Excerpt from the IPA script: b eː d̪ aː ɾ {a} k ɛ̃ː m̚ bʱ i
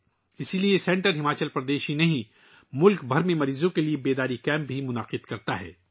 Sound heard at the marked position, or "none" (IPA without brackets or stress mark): i